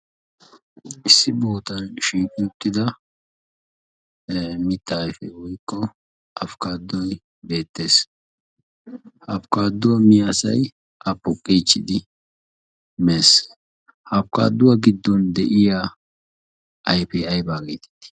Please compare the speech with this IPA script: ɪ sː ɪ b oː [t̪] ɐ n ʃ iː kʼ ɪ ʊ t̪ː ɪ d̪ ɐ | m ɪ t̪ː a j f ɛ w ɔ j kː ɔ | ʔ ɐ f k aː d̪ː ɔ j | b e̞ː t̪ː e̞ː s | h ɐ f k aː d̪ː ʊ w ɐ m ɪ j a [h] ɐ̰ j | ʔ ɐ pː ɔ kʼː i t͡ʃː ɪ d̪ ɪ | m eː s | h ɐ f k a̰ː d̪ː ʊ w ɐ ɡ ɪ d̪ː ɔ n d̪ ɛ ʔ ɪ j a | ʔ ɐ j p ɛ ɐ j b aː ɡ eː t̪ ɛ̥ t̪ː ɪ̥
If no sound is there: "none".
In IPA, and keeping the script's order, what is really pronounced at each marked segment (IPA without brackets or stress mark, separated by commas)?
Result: t̪, s